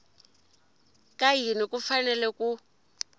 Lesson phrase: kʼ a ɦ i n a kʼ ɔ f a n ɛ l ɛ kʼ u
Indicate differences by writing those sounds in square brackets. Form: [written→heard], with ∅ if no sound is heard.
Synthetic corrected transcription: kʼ a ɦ i n [a→i] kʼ [ɔ→u] f a n ɛ l ɛ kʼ u